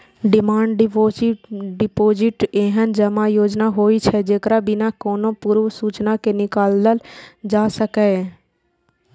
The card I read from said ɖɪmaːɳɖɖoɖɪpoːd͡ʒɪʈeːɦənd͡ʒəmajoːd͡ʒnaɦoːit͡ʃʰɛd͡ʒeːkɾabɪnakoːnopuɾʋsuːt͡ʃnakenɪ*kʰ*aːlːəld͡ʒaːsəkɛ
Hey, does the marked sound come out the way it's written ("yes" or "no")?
no